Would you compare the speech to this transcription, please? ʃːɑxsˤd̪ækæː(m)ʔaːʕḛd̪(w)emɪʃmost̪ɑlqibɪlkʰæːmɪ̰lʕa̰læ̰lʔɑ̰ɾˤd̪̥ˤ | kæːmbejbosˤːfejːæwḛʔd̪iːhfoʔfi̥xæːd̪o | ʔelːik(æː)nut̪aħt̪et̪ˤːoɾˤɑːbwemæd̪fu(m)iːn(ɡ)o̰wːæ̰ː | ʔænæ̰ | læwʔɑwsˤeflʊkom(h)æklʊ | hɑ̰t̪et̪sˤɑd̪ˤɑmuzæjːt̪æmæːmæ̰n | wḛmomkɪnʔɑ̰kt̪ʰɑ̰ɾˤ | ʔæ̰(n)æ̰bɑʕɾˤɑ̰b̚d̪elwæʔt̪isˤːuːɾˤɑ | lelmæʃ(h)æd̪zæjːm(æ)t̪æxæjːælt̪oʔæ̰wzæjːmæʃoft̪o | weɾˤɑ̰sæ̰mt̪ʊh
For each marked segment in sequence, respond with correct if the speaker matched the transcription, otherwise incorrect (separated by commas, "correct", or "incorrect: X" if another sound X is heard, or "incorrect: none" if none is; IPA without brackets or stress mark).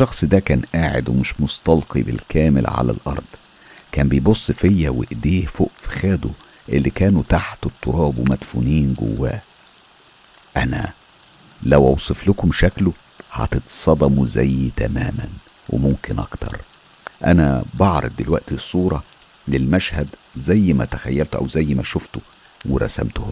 incorrect: n, correct, correct, incorrect: n, correct, incorrect: ʃ, correct, correct, correct